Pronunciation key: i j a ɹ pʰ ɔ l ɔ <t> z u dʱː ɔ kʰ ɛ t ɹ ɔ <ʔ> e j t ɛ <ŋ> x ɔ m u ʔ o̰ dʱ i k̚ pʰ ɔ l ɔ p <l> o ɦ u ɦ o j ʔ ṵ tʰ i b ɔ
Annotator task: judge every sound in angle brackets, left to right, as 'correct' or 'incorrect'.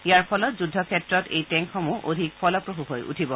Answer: correct, incorrect, correct, incorrect

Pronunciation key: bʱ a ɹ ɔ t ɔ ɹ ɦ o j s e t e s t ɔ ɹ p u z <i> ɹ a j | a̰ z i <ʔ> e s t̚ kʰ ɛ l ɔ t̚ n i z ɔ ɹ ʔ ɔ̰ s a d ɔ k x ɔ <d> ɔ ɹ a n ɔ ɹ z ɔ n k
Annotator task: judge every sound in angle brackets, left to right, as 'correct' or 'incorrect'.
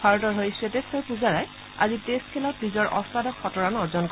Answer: incorrect, incorrect, incorrect

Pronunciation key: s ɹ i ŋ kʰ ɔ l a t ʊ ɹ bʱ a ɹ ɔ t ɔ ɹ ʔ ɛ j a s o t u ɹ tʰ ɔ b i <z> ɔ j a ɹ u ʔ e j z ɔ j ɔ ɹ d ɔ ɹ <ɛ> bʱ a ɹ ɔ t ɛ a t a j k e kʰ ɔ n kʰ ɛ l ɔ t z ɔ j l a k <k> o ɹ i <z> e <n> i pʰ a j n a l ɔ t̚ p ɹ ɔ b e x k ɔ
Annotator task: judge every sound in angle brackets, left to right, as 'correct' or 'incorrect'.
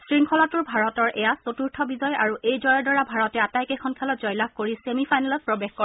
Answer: correct, incorrect, correct, incorrect, incorrect

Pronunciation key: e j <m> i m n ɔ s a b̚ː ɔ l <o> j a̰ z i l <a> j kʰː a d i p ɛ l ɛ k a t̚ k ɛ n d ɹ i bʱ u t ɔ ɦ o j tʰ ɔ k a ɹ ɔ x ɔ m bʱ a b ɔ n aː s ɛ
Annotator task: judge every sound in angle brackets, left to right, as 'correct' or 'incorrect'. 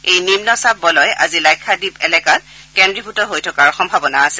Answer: incorrect, incorrect, correct

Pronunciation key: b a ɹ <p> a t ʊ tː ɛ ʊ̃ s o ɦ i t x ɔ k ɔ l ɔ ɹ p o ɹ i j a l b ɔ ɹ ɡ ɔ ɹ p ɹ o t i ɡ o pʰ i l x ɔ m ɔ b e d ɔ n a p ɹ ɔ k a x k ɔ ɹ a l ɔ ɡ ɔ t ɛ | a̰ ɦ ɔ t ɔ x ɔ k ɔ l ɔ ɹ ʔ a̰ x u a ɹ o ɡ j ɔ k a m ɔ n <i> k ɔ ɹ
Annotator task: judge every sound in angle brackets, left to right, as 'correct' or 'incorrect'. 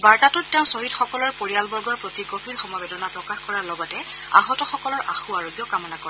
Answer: incorrect, incorrect

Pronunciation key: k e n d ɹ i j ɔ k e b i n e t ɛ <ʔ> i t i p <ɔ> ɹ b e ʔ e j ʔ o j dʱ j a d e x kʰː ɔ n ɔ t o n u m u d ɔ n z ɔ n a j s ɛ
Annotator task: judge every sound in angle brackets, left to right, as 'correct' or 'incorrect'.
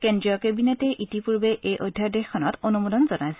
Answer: correct, incorrect

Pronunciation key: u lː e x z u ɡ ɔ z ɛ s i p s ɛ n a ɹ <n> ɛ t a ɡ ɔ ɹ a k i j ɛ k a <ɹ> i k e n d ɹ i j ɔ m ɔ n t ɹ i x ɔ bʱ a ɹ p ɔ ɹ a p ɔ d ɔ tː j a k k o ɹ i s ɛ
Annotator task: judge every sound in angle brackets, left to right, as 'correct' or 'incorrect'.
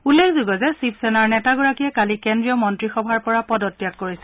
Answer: correct, incorrect

